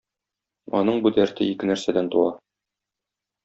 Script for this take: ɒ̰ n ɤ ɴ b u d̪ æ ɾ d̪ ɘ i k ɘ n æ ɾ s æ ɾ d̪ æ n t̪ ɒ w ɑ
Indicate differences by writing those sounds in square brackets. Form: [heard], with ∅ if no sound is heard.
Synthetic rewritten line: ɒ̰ n ɤ ɴ b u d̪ æ ɾ [t̪] ɘ i k ɘ n æ ɾ s æ [∅] d̪ æ n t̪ [u] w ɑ